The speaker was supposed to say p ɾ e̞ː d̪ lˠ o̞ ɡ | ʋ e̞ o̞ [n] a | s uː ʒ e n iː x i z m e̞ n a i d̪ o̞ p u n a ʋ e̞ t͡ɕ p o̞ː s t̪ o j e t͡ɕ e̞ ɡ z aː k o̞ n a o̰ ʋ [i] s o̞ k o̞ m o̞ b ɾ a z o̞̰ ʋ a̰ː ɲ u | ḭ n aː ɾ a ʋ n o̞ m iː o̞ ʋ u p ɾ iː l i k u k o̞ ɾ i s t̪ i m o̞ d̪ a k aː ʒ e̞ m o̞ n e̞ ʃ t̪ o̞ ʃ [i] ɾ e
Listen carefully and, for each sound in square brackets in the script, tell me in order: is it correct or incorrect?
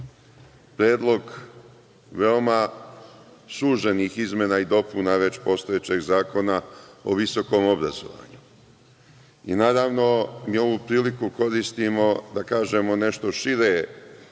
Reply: incorrect: m, correct, correct

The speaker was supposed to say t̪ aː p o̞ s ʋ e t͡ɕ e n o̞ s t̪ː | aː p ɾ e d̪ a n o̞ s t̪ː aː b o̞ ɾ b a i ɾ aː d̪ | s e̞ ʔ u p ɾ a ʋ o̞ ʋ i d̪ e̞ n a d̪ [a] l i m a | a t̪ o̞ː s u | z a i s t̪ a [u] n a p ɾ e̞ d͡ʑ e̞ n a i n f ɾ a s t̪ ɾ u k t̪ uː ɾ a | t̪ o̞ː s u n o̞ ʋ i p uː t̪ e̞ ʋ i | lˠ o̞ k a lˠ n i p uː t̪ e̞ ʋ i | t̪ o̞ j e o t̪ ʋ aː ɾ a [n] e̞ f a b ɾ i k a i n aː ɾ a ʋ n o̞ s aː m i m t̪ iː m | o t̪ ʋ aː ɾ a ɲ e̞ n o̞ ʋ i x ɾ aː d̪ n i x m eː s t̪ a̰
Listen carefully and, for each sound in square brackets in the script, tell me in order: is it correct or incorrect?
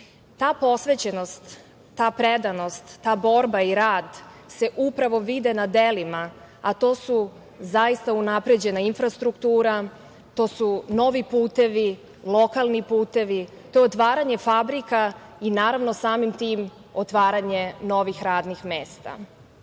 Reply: incorrect: e, correct, incorrect: ɲ

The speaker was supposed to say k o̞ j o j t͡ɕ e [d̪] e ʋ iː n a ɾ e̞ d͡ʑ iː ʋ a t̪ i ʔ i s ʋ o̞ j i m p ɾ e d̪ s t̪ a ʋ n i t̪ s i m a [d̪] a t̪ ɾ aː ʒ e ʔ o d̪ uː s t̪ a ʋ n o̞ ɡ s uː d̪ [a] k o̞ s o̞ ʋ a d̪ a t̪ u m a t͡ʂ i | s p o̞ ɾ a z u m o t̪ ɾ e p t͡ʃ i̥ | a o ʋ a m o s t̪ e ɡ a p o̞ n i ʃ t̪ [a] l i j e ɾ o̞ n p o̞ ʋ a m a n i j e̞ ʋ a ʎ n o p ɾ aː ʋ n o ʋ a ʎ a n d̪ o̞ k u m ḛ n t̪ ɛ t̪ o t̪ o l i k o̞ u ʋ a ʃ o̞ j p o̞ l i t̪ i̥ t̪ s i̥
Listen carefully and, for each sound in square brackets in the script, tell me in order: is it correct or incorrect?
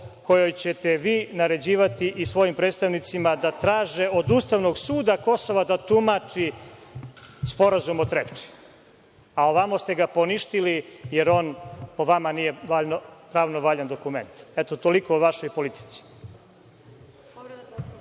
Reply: incorrect: t̪, correct, correct, incorrect: i

